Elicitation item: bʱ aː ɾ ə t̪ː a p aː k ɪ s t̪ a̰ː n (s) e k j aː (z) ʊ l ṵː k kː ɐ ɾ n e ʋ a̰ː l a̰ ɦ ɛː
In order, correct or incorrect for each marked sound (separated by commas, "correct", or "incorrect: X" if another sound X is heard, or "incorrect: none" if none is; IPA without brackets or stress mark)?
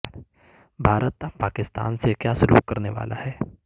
correct, incorrect: s